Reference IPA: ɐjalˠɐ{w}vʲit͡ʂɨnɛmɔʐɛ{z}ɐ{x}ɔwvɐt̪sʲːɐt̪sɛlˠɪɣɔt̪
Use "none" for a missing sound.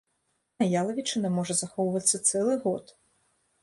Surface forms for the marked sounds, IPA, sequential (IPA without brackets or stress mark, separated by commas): none, z, x